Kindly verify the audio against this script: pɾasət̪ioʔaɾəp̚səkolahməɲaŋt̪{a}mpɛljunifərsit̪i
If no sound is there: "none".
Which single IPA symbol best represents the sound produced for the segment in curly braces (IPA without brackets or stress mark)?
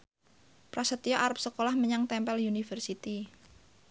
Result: ɛ